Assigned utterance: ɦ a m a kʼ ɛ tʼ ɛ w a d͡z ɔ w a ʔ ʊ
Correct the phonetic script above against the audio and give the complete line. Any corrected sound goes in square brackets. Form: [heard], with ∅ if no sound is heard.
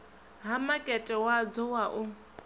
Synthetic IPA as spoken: ɦ a m a kʼ ɛ tʼ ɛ w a d͡z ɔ w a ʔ ʊ